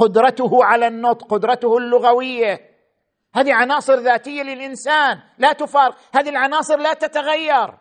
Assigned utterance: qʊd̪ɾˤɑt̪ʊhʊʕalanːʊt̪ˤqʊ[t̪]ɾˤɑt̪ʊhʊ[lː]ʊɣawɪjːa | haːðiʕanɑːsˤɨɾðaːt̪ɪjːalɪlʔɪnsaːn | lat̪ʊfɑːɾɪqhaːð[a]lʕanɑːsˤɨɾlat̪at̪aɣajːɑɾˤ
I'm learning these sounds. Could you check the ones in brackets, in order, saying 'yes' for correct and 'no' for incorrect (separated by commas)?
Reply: no, yes, no